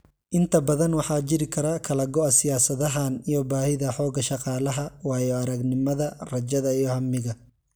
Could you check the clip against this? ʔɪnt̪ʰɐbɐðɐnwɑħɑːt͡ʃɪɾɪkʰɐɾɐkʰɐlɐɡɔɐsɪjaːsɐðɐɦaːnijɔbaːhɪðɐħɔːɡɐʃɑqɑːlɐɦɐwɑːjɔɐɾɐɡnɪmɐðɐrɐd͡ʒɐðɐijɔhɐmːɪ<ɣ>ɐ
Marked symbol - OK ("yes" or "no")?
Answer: yes